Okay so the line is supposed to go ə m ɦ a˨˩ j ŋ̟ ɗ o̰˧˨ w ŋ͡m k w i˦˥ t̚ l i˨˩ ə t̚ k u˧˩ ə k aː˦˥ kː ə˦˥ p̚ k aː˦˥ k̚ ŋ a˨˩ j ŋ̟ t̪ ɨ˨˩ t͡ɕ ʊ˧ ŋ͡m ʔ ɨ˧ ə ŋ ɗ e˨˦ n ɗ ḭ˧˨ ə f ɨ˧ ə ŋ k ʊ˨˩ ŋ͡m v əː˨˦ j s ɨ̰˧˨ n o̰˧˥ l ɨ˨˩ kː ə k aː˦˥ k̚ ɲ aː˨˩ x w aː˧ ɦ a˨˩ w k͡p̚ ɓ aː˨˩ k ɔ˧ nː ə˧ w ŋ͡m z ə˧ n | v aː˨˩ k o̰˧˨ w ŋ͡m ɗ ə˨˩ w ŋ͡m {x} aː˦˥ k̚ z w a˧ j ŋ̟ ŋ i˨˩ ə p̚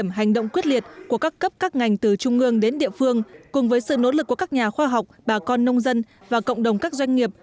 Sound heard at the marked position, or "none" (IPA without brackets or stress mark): k